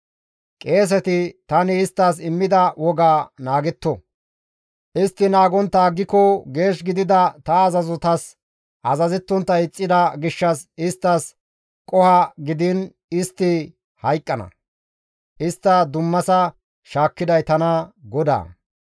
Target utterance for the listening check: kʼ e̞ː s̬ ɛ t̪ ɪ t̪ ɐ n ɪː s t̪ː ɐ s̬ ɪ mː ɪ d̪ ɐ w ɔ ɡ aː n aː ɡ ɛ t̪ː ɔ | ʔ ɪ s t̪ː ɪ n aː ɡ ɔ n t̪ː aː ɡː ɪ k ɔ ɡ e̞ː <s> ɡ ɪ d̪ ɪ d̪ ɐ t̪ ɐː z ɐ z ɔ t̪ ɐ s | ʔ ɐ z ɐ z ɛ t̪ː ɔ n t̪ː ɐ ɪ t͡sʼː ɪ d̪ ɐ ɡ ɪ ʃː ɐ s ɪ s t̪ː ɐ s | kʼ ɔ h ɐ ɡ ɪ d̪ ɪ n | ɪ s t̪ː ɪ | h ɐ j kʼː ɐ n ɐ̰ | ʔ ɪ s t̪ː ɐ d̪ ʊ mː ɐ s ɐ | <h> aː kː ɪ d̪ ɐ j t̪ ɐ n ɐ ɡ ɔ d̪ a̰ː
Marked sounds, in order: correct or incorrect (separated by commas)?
incorrect, incorrect